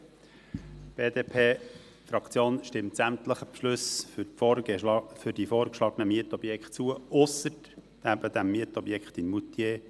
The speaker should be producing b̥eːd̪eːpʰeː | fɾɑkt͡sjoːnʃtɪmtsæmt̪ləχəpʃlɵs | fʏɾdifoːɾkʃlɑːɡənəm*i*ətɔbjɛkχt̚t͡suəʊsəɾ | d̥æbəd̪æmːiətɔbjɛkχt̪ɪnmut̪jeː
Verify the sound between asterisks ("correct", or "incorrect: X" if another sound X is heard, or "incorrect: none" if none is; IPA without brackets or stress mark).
correct